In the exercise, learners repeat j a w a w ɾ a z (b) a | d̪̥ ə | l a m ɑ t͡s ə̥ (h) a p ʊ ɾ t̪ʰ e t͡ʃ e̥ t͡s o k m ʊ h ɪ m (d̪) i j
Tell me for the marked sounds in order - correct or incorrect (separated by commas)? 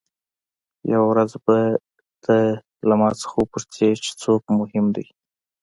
correct, incorrect, correct